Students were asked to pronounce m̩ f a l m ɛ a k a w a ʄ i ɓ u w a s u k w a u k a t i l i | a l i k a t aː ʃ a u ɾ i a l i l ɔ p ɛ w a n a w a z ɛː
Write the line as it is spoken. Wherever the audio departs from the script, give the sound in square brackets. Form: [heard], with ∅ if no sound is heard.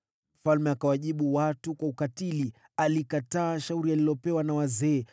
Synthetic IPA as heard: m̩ f a l m ɛ a k a w a ʄ i ɓ u w a [t] u k w a u k a t i l i | a l i k a t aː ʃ a u ɾ i a l i l ɔ p ɛ w a n a w a z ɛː